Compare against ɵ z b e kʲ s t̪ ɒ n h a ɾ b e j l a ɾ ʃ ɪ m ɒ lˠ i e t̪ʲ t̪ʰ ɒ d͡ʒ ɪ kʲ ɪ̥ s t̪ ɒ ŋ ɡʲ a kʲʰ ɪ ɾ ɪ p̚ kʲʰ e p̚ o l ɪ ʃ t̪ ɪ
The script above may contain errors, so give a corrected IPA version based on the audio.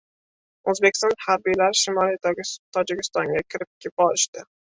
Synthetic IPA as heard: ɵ z b e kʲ s t̪ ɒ n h a ɾ b i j l a ɾ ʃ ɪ m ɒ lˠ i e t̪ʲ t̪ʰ ɒ d͡ʒ ɪ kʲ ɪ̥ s t̪ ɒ ŋ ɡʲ a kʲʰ ɪ ɾ ɪ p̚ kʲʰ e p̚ ɒ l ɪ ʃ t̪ ɪ